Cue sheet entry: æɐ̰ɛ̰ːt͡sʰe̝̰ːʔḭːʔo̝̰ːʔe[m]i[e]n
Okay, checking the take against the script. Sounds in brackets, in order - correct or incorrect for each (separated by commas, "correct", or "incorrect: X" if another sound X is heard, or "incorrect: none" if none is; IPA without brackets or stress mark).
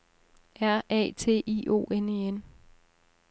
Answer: incorrect: n, correct